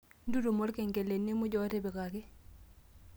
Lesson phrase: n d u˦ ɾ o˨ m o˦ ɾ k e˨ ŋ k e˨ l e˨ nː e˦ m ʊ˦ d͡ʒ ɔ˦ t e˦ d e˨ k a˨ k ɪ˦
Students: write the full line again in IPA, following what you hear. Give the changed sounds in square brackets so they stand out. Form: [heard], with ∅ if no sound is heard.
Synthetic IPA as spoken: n d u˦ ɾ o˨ m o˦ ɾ k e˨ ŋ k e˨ l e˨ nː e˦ m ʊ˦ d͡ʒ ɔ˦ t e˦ [b] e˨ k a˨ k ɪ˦